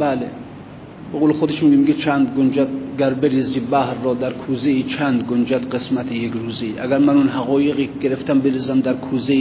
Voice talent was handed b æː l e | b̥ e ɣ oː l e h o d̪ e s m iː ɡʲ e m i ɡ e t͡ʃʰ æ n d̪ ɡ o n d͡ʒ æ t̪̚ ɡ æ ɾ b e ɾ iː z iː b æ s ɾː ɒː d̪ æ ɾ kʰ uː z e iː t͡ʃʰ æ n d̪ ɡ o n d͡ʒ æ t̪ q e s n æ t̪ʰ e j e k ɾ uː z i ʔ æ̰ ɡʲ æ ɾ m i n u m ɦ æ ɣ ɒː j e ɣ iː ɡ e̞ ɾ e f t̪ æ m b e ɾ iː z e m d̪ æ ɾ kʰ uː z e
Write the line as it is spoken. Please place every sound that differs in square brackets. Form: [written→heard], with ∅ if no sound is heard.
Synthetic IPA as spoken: b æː l e | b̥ e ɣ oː l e [h→x] o d̪ e [s→ʃ] m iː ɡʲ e m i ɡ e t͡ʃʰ æ n d̪ ɡ o n d͡ʒ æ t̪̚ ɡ æ ɾ b e ɾ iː z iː b æ [s→h] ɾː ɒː d̪ æ ɾ kʰ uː z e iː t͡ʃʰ æ n d̪ ɡ o n d͡ʒ æ t̪ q e s [n→m] æ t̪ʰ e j e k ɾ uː z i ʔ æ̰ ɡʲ æ ɾ m [i→æ] n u [m→n] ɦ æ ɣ ɒː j e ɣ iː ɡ e̞ ɾ e f t̪ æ m b e ɾ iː z [e→æ] m d̪ æ ɾ kʰ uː z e